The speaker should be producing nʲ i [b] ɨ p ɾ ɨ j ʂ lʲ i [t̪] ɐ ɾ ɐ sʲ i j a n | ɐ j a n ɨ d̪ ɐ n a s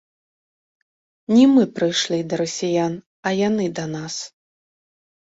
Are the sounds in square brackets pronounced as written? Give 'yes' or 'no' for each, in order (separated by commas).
no, no